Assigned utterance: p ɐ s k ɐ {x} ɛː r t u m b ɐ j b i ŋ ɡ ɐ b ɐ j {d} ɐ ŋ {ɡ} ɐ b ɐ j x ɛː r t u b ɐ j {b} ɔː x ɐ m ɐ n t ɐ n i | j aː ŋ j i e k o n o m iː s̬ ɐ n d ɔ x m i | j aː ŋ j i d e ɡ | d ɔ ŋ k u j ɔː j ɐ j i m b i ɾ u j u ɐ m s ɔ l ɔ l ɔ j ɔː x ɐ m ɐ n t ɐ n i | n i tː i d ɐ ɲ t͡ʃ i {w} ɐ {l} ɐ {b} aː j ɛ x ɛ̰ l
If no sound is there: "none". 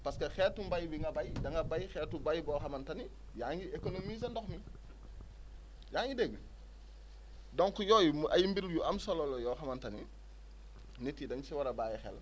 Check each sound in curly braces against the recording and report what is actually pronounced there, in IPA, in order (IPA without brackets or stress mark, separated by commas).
x, d, ɡ, b, w, ɾ, b